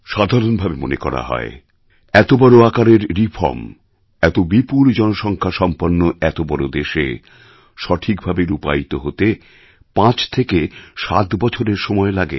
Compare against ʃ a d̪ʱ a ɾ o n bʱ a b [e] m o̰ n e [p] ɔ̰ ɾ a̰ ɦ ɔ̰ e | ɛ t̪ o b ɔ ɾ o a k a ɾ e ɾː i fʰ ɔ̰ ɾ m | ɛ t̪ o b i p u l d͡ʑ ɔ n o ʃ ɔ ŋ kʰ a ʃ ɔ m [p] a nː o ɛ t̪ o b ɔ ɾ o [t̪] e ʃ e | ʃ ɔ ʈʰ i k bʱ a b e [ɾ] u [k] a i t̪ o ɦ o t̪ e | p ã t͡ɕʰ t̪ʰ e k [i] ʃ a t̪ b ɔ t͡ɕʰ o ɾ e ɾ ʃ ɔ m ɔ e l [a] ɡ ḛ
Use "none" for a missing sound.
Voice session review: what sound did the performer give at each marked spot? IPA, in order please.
e, k, p, d̪, ɾ, p, e, a

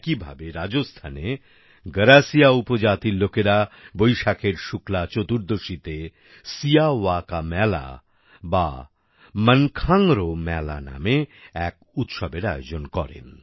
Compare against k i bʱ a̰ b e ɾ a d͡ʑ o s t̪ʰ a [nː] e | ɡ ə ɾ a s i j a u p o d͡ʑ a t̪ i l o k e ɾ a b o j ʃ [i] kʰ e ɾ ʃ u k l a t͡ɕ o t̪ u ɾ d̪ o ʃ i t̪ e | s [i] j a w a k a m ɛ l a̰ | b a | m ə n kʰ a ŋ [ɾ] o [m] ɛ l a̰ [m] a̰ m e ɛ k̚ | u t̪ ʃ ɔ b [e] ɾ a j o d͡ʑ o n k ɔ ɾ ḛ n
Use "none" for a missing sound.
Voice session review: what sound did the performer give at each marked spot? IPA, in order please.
n, a, i, ɾ, m, n, e

